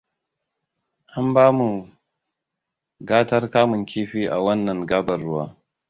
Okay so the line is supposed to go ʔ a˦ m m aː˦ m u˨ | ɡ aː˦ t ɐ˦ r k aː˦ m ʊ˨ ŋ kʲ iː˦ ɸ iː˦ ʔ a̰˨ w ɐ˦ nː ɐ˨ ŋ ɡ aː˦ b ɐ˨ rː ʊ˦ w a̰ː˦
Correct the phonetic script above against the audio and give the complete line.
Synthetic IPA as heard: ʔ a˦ m b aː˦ m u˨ | ɡ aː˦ t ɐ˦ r k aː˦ m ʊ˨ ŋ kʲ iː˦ ɸ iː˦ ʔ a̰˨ w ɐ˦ nː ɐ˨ ŋ ɡ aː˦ b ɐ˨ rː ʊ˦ w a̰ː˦